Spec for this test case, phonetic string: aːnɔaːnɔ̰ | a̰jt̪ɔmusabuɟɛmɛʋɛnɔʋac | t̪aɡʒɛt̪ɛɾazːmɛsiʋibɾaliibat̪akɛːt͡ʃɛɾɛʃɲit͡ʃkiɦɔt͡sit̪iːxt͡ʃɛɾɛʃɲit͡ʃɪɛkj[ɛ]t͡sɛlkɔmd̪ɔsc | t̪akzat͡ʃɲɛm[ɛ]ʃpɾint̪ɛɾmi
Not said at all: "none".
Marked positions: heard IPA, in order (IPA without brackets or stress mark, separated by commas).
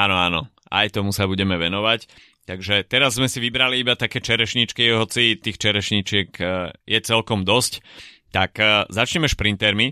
ɛ, ɛ